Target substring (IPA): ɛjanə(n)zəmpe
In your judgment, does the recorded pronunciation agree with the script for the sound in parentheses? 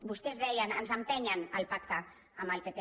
yes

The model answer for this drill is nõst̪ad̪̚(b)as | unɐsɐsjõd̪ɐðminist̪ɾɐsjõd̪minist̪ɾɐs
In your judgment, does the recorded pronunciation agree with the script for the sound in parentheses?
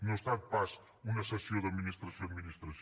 no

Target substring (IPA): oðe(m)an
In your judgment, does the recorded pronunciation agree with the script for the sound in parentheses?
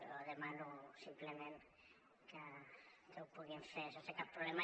yes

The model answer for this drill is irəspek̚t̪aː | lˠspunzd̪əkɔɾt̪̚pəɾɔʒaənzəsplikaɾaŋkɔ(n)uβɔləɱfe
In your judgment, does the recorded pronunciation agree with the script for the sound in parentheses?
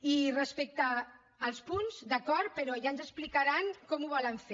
no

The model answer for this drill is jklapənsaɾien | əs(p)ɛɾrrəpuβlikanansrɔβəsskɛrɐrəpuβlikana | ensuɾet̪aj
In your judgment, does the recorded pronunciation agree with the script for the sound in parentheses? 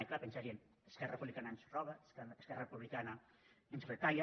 no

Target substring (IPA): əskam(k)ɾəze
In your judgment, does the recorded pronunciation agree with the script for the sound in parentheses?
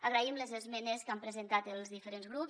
no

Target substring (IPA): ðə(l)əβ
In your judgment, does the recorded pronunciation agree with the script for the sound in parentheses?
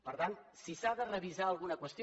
no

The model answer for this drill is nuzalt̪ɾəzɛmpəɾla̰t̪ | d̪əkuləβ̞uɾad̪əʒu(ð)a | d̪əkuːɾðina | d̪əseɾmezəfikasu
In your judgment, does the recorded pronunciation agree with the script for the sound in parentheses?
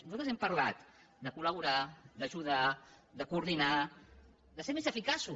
yes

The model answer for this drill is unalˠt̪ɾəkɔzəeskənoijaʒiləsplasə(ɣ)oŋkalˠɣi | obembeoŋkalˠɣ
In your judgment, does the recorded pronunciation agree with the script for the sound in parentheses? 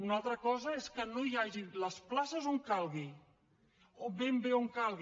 no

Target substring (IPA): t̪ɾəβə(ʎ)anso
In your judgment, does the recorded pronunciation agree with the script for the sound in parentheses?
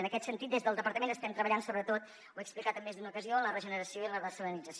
yes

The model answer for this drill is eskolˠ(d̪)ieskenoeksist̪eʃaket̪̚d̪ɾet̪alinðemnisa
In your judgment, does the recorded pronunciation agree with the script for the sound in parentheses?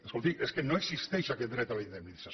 no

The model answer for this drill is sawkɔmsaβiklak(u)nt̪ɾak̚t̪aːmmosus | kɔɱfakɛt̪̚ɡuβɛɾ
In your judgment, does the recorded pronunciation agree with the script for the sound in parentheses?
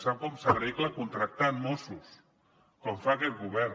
yes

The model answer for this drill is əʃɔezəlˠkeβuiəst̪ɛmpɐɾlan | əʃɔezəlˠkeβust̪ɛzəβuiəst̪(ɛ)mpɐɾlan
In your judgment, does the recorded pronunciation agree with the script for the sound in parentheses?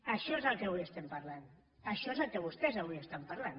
no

